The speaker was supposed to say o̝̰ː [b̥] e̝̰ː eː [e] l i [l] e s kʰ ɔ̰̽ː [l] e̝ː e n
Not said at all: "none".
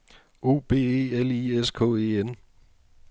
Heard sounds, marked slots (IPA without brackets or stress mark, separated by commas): b̥, e, none, none